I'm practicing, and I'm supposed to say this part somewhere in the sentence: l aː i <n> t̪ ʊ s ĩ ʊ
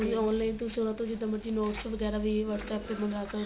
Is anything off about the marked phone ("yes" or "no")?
no